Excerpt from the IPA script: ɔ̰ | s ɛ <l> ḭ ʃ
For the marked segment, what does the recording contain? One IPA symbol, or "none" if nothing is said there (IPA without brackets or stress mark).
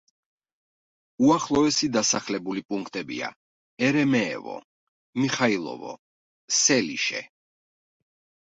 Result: l